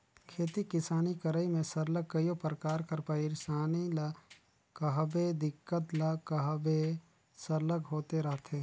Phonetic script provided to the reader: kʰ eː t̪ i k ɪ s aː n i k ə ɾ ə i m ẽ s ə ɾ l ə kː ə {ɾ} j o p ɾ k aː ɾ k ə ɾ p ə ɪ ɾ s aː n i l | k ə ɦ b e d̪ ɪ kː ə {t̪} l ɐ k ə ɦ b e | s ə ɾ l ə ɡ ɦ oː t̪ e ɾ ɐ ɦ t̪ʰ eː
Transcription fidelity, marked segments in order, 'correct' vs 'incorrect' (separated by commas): incorrect, correct